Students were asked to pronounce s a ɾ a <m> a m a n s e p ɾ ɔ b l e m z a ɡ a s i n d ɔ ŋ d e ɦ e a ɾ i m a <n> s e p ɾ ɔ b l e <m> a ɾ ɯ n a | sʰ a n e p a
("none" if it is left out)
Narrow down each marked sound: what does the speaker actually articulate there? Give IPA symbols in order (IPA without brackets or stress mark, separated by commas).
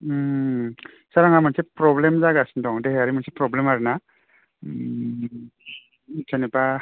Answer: ŋ, n, m